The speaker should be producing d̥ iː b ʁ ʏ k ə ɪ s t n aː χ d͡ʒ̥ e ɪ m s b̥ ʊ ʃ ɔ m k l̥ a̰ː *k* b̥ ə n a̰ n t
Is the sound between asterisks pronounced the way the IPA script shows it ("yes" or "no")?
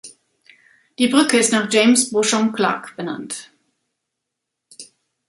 yes